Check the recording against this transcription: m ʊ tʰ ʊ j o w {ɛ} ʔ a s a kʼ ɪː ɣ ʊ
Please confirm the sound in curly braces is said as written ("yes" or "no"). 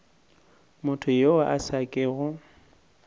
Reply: no